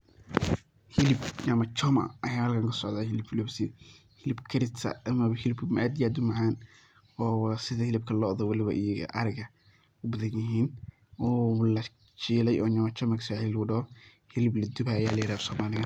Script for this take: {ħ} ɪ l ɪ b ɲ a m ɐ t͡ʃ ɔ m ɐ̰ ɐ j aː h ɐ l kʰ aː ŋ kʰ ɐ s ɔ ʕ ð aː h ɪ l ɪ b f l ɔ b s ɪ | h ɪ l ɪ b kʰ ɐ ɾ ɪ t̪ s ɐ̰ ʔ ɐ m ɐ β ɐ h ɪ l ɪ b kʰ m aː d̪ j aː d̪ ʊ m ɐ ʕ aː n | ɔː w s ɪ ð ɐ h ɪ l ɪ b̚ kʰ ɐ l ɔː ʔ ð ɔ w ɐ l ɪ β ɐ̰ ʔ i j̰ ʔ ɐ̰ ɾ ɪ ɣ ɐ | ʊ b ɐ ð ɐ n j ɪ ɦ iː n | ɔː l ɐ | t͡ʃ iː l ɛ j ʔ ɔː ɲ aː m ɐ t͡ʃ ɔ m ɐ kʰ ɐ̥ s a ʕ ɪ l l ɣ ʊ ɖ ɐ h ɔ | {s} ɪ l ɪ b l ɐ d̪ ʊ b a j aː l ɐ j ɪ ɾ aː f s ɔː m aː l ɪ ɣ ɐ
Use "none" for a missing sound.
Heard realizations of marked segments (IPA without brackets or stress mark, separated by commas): h, h